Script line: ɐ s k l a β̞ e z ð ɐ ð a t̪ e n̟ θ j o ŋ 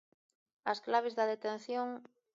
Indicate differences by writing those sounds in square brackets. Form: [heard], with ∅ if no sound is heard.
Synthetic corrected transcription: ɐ s k l a β̞ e z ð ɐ ð [e] t̪ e n̟ θ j o ŋ